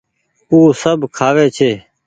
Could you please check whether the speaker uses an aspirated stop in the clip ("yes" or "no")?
yes